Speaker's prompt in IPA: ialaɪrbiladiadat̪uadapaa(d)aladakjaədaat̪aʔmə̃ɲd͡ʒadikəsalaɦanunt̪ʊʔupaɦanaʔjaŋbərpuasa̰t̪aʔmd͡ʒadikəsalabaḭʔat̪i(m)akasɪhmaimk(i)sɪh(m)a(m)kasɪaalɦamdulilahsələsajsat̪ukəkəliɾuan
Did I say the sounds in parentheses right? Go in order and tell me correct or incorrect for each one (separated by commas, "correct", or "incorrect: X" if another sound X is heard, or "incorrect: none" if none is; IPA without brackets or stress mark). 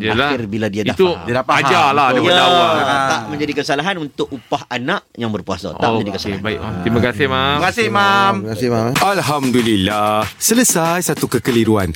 incorrect: d͡ʒ, correct, incorrect: a, correct, correct